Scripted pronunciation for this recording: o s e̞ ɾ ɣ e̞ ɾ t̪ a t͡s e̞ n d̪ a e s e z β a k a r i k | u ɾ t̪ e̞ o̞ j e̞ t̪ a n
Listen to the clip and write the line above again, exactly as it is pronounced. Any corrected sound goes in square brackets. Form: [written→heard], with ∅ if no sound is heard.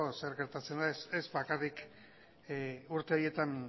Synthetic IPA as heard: o s e̞ ɾ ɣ e̞ ɾ t̪ a t͡s e̞ n d̪ a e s e z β a k a r i k | u ɾ t̪ e̞ o̞ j e̞ t̪ a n